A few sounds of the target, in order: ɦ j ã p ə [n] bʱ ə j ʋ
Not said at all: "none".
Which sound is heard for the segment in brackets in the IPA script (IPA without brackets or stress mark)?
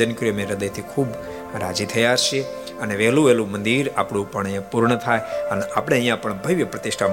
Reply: ɳ